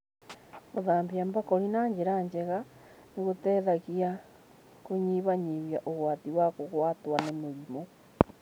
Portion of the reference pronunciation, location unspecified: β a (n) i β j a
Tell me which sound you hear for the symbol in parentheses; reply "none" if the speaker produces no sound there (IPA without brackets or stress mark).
ɲ